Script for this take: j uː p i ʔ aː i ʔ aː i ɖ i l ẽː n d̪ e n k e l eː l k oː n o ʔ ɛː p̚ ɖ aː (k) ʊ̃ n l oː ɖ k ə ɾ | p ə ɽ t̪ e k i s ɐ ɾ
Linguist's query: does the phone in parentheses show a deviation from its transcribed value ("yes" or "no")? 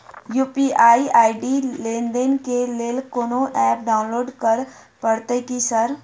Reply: yes